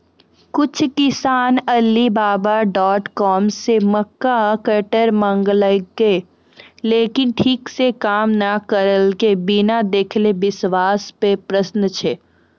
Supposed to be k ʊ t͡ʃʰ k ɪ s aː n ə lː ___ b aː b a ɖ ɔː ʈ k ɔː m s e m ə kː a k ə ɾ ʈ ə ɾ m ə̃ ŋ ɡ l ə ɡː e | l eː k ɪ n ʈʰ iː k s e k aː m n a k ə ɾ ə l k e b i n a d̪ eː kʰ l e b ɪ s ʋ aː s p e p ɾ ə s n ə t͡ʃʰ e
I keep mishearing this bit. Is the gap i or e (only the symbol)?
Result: i